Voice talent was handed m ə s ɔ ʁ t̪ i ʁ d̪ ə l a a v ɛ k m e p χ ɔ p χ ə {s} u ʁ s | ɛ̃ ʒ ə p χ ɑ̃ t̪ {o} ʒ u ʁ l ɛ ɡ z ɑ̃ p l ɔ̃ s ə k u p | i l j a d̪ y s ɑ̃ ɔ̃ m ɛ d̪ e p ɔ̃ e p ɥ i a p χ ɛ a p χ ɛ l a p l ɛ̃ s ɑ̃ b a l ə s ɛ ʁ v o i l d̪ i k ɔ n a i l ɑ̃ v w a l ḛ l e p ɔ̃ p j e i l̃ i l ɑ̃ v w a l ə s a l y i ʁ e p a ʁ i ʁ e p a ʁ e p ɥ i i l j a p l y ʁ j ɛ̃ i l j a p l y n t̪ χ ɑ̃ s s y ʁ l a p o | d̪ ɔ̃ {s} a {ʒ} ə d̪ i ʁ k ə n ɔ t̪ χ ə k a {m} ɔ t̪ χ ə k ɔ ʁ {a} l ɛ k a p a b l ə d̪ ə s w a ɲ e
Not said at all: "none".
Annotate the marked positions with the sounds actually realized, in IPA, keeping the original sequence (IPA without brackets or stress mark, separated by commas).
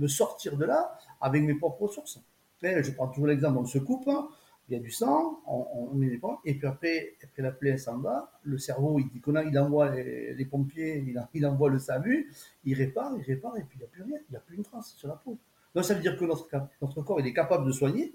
s, u, s, v, n, i